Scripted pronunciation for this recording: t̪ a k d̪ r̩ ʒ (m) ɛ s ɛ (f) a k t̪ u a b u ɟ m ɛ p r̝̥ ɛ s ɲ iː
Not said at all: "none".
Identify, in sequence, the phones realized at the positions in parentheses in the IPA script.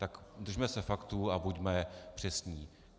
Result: m, f

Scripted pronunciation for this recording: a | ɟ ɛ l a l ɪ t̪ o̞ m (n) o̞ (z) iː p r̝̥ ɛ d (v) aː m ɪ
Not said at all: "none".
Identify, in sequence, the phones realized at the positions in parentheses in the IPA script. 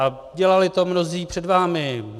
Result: n, z, v

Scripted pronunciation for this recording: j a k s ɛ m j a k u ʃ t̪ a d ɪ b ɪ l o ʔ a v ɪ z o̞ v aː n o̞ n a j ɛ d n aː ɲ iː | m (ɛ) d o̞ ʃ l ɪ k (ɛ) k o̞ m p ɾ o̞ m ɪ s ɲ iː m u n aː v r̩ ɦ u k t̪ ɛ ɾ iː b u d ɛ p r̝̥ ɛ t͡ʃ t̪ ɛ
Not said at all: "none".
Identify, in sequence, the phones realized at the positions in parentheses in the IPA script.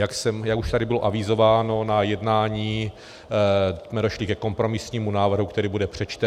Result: ɛ, ɛ

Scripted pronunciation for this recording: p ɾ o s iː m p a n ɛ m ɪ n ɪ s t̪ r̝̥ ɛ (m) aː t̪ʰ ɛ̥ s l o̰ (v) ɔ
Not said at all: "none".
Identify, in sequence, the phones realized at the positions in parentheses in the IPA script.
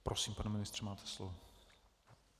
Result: m, v

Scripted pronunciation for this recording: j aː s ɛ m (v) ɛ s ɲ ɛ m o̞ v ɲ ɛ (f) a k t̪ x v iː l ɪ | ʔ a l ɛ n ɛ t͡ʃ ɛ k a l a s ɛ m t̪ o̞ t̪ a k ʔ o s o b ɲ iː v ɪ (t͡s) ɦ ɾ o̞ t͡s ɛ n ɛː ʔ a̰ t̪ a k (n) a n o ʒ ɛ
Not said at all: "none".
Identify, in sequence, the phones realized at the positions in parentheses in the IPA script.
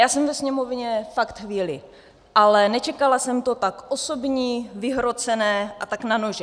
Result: v, f, none, n

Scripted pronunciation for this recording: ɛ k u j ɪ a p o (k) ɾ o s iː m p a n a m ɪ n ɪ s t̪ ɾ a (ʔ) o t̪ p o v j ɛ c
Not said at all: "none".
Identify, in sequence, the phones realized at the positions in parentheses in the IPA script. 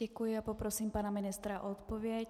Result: p, ʔ

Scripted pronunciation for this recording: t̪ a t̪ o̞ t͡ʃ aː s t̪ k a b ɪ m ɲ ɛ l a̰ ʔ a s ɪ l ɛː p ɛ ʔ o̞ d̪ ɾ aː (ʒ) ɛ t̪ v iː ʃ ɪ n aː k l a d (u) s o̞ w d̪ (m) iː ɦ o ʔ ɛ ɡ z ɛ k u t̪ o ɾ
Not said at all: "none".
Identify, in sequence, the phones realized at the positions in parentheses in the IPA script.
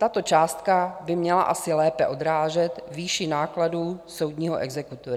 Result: ʒ, uː, ɲ

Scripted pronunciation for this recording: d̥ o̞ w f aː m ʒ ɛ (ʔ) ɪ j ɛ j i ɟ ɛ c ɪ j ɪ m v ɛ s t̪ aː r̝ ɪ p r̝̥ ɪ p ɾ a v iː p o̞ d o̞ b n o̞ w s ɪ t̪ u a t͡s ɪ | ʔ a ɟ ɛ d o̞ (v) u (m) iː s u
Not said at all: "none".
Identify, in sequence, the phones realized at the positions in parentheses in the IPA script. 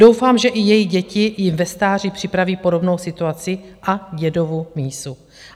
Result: ʔ, v, m

